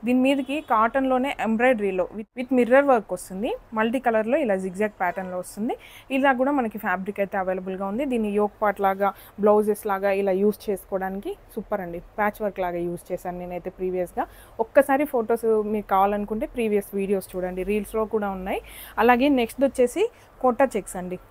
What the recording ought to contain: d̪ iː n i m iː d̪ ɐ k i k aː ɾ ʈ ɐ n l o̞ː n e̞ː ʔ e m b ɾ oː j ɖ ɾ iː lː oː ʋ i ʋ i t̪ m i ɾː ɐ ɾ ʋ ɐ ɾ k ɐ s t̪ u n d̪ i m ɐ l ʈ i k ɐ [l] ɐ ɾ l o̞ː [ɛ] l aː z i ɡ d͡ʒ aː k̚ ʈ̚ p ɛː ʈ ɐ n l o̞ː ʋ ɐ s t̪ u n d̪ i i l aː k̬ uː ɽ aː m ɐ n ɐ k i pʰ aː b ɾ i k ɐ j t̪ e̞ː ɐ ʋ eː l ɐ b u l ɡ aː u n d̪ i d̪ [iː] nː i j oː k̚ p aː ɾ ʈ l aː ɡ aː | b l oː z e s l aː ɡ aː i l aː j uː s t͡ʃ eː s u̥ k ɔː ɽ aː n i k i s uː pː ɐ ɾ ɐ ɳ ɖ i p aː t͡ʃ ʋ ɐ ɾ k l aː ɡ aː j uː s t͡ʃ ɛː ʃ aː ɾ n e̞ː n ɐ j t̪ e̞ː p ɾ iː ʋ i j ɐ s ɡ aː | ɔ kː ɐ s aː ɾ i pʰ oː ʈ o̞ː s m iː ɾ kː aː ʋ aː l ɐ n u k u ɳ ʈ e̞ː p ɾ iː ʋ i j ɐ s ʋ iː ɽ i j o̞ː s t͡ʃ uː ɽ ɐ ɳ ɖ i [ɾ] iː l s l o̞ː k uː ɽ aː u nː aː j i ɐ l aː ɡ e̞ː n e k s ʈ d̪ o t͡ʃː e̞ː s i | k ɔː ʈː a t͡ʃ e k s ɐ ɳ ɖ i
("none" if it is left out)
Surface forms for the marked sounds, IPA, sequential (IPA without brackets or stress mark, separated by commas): l, i, iː, ɾ